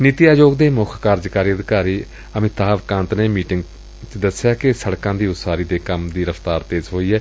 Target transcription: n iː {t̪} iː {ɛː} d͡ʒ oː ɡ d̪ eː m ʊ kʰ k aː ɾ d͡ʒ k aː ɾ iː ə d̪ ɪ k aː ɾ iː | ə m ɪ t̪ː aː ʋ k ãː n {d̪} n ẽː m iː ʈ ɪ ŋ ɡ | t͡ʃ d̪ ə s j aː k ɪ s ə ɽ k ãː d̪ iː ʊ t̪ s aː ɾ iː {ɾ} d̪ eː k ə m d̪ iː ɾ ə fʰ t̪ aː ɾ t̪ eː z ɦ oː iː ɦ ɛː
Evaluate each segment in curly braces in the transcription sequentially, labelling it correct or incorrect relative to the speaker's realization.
correct, incorrect: aː, incorrect: t̪, incorrect: none

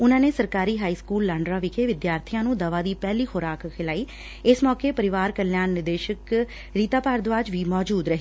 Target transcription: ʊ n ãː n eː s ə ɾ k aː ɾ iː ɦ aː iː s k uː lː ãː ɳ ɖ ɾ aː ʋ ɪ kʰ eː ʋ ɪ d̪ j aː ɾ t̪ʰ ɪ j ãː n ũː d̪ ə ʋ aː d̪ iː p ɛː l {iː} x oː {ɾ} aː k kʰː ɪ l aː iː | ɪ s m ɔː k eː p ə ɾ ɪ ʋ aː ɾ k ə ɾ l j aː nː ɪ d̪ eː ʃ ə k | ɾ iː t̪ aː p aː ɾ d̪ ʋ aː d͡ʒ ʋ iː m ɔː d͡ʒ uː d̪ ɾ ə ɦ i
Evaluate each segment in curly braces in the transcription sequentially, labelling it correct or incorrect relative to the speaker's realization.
correct, correct

